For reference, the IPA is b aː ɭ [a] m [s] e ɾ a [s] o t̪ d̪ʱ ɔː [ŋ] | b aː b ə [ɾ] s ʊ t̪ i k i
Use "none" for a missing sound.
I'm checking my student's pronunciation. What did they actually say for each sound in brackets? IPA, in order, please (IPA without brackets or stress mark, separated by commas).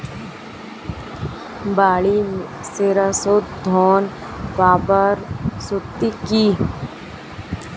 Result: i, s, s, n, ɾ